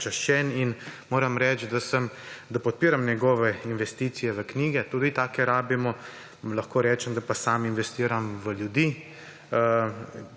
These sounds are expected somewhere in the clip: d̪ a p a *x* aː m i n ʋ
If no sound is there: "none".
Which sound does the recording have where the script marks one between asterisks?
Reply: s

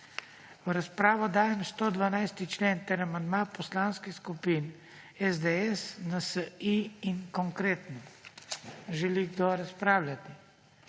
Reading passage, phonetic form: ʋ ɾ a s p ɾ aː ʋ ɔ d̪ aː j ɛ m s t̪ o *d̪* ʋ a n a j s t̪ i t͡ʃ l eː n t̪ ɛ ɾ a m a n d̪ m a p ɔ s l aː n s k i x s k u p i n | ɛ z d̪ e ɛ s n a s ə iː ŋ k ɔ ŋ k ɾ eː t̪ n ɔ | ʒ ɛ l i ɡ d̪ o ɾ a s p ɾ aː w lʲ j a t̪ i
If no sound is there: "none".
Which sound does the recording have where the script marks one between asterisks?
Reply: d̪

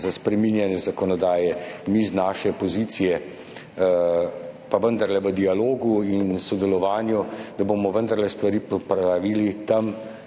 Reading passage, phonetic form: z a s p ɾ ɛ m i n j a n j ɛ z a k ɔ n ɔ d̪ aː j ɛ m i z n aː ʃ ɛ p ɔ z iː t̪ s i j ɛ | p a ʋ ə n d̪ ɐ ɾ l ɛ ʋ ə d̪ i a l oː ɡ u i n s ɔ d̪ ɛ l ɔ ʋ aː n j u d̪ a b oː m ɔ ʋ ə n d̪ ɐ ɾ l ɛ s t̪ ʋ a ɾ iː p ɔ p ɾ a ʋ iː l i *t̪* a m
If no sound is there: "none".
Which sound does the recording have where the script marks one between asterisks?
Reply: t̪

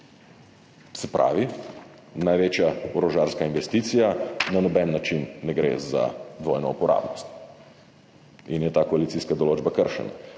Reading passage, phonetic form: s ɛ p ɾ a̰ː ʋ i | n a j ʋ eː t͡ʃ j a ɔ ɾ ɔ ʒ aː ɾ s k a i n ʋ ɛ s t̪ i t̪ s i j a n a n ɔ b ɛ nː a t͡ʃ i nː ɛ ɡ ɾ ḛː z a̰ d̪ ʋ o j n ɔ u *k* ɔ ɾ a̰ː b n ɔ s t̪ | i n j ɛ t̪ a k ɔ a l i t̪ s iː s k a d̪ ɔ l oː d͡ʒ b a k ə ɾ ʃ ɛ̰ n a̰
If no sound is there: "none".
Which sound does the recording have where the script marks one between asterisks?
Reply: p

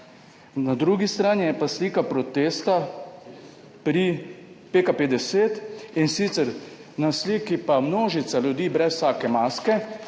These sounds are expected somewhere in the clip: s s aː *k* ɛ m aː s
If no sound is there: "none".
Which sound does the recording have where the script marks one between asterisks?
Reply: k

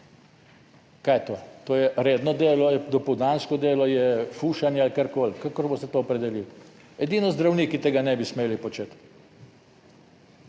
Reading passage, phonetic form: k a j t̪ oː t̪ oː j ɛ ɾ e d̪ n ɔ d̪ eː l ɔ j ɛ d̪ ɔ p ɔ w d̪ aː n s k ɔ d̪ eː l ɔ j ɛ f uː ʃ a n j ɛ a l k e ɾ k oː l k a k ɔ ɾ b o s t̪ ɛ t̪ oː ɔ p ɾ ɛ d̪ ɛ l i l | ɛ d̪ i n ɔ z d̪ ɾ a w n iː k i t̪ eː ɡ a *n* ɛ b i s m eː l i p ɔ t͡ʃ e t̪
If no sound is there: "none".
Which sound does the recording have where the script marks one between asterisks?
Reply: n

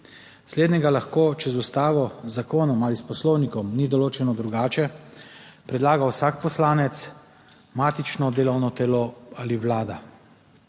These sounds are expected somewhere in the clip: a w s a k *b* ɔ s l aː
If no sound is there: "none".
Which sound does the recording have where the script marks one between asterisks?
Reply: p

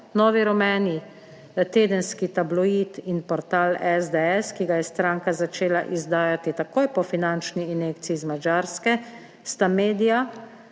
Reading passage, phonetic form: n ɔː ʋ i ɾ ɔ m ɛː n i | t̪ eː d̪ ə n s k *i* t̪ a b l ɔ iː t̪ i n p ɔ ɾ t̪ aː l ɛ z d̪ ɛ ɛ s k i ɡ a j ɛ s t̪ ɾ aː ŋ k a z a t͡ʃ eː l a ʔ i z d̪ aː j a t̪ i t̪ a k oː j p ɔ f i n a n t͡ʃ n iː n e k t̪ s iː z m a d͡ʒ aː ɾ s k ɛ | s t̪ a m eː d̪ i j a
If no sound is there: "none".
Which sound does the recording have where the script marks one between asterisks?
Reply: i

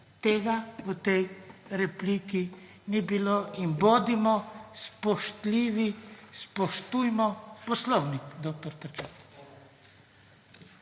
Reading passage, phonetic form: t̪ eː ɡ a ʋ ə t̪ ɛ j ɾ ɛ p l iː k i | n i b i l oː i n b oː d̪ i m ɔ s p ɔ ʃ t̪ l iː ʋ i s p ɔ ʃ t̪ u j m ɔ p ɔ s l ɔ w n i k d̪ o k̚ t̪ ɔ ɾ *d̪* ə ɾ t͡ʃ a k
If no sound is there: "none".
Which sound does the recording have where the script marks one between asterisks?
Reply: t̪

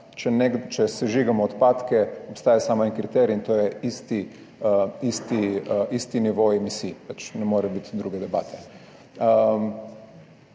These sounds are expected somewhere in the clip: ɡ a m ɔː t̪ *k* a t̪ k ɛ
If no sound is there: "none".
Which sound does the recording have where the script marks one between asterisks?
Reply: p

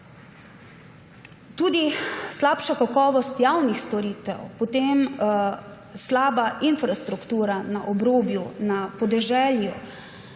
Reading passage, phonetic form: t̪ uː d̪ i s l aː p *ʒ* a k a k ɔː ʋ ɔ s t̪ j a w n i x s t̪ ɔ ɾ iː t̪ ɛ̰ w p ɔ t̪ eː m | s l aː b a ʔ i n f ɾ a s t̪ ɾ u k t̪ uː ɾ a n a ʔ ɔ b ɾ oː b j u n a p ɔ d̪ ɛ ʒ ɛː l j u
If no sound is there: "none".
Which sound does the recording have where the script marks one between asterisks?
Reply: ʃ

